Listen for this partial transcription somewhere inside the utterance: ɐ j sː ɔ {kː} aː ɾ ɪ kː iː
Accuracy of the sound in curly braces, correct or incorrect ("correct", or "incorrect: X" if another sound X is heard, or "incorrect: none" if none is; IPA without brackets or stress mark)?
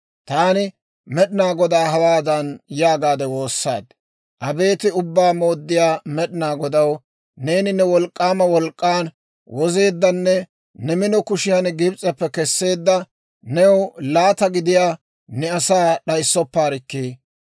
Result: incorrect: pː